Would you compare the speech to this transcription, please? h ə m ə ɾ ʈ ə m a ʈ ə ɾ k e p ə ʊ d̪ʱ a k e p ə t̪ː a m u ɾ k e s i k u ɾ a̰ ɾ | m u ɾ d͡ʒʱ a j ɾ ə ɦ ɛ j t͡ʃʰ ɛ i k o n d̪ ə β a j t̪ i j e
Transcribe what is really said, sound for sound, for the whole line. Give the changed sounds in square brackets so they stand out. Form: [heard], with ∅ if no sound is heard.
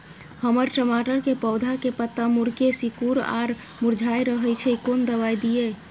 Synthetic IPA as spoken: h ə m ə ɾ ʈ ə m a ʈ ə ɾ k e p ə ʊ d̪ʱ a k e p ə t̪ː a m u ɾ k e s i k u ɾ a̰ ɾ | m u ɾ d͡ʒʱ a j ɾ ə ɦ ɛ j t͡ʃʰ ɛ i k o n d̪ ə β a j [d̪] i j e